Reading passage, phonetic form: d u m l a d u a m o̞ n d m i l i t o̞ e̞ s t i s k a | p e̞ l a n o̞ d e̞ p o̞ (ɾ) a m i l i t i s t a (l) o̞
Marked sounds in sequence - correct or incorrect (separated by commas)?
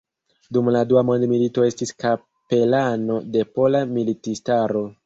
incorrect, incorrect